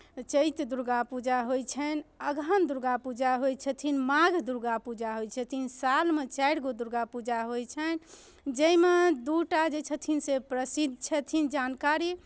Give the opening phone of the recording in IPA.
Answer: t͡ʃ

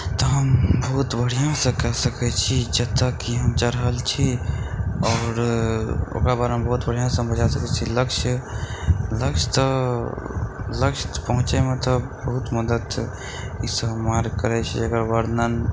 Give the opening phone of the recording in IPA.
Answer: t̪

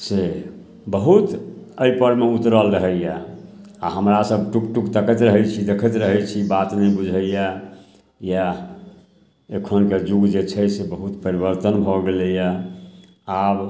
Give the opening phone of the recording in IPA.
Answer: s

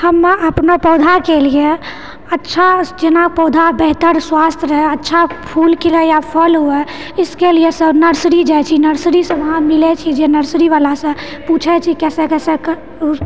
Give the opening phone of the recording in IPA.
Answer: h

